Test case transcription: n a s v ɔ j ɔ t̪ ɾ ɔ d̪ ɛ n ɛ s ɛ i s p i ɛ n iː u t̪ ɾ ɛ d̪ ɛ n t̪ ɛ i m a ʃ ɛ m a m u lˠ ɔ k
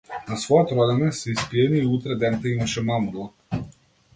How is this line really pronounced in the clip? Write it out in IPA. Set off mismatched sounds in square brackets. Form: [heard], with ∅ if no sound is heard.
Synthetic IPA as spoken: n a s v ɔ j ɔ t̪ ɾ ɔ d̪ ɛ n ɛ s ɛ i s p i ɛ n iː u t̪ ɾ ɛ d̪ ɛ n t̪ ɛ i m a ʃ ɛ m a m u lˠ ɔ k